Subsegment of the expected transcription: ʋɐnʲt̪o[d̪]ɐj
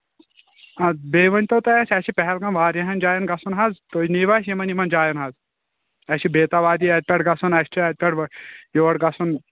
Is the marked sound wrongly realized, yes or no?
yes